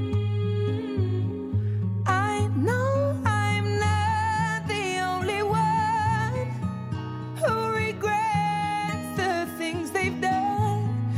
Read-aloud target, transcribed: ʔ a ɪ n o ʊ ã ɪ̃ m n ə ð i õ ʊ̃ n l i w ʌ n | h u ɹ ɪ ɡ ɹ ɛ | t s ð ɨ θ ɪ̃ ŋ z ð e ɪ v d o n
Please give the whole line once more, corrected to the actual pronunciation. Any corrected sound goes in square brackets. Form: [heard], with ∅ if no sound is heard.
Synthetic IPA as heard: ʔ a ɪ n o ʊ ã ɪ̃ m n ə ð i õ ʊ̃ n l i w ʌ n | h u ɹ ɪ ɡ ɹ ɛ | t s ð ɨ θ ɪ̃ ŋ z ð e ɪ v d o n